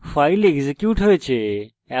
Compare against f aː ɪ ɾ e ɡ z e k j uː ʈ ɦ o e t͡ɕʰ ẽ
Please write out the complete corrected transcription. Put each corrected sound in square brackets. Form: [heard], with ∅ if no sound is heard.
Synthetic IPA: f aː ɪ [l] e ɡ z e k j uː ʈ ɦ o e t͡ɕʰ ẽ